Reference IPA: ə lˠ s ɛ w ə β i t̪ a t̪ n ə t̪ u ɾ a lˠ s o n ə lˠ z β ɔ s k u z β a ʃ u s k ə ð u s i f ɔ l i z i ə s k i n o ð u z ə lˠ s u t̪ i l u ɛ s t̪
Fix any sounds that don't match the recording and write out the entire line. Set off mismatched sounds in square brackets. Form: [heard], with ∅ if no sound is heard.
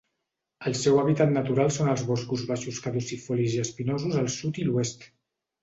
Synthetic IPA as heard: ə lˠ s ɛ w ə β i t̪ a t̪ n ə t̪ u ɾ a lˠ s o n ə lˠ z β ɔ s k u z β a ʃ u s k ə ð u s i f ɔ l i z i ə s [p] i n o [z] u z ə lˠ s u t̪ i l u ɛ s t̪

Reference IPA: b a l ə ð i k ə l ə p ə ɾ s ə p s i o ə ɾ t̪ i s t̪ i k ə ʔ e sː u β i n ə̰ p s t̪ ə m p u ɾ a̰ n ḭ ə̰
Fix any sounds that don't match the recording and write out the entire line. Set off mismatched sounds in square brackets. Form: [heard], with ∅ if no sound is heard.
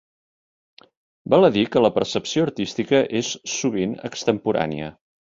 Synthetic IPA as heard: b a l ə ð i k ə l ə p ə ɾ s ə p s i o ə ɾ t̪ i s t̪ i k ə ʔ e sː u β i n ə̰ [k] s t̪ ə m p u ɾ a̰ n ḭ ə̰

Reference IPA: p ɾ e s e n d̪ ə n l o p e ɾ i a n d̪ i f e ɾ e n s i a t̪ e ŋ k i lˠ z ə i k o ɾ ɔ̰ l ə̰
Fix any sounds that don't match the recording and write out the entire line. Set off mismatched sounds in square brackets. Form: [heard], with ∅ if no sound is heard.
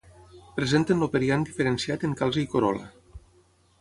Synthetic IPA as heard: p ɾ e [z] e n [t̪] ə n l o p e ɾ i a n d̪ i f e ɾ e n s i a t̪ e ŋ k [a] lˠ z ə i k o ɾ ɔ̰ l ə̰

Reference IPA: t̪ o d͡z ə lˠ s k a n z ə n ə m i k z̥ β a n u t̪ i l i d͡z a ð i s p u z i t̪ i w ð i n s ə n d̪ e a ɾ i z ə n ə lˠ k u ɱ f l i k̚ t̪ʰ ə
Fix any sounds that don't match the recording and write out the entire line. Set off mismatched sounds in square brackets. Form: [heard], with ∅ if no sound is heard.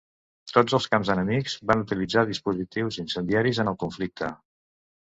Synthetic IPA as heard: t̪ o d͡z ə lˠ s k a [m] z ə n ə m i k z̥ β a n u t̪ i l i d͡z a ð i s p u z i t̪ i w [z] i n s ə n d̪ [i] a ɾ i z ə n ə lˠ k u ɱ f l i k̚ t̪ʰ ə

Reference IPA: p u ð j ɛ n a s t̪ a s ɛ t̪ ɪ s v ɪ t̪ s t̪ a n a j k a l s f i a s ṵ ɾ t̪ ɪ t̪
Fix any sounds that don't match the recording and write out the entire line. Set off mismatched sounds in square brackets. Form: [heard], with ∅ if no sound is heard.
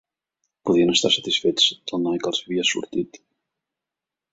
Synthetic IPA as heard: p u ð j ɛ n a s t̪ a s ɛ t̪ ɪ s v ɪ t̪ s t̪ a n a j k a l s [v] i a s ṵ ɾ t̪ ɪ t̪

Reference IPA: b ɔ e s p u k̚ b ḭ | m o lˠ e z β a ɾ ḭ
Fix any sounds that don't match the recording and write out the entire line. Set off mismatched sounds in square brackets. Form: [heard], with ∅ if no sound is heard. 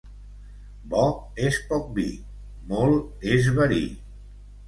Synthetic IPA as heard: b ɔ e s p [ɔ] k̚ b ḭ | m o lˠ e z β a ɾ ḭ

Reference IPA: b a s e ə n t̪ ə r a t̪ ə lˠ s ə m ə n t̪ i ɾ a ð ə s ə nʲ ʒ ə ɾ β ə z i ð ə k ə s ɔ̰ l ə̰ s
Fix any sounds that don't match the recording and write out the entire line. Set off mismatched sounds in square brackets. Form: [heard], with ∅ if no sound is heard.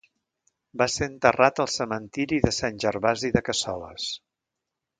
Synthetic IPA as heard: b a s e ə n t̪ ə r a t̪ ə lˠ s ə m ə n t̪ i ɾ [i] ð ə s [a] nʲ ʒ ə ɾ β [a] z i ð ə k ə s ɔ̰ l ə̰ s

